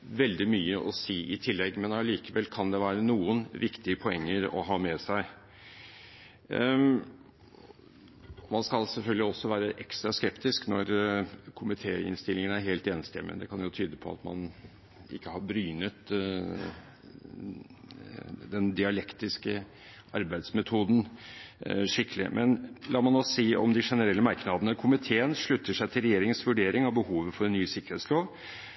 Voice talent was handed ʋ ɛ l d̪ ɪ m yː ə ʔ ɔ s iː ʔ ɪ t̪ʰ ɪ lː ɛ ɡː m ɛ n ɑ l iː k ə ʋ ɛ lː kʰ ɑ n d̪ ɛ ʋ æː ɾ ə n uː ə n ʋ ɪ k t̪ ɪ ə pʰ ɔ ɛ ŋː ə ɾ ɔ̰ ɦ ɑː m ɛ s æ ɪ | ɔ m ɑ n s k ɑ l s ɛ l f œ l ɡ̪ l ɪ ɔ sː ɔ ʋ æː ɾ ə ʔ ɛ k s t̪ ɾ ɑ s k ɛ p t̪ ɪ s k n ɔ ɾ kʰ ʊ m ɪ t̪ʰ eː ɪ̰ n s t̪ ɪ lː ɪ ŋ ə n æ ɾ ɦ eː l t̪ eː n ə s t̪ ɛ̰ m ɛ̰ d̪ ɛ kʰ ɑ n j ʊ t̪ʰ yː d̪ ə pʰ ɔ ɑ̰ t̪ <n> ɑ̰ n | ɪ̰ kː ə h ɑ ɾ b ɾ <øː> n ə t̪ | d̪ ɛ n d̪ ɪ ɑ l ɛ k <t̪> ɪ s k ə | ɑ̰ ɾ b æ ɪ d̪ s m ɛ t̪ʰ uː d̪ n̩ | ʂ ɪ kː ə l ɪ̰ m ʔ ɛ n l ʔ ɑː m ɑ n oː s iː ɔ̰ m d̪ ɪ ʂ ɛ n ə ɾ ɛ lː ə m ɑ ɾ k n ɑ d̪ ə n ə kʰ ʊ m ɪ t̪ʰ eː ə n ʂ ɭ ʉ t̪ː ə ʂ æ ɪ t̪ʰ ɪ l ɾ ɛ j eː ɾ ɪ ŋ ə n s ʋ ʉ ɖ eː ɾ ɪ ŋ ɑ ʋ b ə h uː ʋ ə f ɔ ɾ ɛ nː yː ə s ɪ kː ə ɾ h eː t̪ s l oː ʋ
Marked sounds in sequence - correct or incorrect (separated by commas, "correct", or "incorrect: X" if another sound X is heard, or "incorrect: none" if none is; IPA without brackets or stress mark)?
incorrect: m, incorrect: yː, correct